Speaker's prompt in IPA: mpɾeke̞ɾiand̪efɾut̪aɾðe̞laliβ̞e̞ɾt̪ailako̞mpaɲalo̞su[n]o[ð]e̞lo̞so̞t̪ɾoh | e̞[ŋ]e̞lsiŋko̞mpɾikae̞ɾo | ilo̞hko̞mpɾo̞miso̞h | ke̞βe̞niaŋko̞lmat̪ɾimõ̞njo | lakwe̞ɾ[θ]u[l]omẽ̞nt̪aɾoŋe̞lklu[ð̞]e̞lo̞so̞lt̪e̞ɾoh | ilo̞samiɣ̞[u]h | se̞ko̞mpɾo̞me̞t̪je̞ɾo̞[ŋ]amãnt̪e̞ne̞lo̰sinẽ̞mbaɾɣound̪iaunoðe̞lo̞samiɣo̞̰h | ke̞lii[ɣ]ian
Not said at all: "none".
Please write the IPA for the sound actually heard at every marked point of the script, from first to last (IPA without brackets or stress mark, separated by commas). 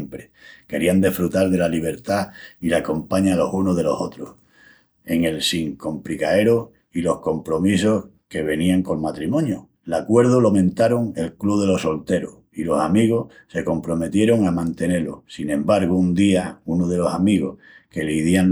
n, ð, ŋ, ð, l, ð̞, o, ŋ, ð